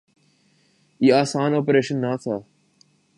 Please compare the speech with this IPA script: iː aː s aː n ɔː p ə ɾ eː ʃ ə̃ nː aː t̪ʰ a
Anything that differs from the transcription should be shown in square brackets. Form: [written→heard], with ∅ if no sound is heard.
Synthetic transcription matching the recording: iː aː s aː n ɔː p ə ɾ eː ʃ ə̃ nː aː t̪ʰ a